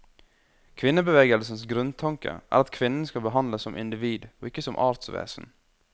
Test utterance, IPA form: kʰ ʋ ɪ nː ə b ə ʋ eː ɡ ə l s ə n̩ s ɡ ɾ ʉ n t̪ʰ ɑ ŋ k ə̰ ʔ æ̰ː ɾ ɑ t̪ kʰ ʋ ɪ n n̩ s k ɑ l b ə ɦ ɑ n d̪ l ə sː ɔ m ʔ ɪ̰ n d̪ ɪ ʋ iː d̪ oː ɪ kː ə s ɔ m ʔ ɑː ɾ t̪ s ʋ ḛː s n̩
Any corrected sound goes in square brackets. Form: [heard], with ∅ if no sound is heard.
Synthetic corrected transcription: kʰ ʋ ɪ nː ə b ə ʋ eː ɡ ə l s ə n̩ s ɡ ɾ ʉ n t̪ʰ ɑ ŋ k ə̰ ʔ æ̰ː ɾ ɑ t̪ kʰ ʋ ɪ n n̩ s k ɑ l b ə ɦ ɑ n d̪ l ə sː ɔ m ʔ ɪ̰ n d̪ ɪ ʋ iː d̪ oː ɪ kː ə s ɔ m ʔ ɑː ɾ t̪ s ʋ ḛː s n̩